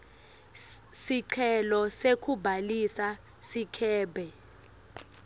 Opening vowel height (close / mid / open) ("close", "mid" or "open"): close